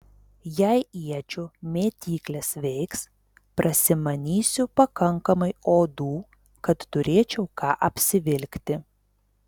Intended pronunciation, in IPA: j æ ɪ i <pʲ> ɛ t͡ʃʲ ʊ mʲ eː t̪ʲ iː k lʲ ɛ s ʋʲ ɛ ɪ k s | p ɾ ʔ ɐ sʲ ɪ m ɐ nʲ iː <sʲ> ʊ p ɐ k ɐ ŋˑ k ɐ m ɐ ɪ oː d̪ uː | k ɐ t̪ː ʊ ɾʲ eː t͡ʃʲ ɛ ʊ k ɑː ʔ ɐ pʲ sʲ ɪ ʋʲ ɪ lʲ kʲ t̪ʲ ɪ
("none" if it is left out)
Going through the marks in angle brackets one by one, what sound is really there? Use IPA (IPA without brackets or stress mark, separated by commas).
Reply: none, sʲ